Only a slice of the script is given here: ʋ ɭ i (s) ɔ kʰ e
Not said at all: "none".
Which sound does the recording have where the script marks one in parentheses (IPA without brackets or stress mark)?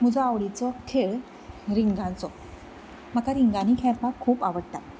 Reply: t͡s